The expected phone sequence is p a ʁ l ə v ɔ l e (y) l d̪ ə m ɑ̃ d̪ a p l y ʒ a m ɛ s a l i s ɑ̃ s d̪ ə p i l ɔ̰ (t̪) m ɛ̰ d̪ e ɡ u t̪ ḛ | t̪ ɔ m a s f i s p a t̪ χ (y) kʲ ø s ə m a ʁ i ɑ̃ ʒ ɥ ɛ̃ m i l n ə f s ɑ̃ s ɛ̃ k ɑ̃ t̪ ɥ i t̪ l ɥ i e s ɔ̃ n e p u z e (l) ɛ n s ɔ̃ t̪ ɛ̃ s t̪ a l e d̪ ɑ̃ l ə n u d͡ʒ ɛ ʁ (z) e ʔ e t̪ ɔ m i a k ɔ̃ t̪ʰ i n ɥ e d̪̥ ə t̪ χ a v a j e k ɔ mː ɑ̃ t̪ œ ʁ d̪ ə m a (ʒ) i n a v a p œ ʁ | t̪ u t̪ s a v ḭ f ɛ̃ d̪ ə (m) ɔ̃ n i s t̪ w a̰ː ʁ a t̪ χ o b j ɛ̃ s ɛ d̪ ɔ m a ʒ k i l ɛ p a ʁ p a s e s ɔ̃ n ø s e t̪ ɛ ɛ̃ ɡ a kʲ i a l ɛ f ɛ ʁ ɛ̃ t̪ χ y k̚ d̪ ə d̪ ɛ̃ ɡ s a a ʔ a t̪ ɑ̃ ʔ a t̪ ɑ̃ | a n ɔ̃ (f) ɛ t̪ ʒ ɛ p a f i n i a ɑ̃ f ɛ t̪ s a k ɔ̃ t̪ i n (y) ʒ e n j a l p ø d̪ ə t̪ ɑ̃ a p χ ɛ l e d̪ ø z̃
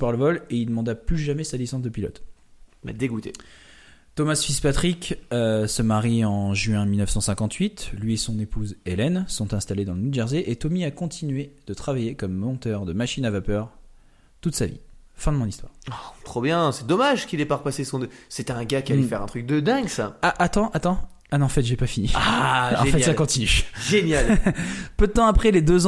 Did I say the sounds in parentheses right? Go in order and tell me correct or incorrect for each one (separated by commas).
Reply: incorrect, correct, incorrect, correct, correct, incorrect, correct, correct, correct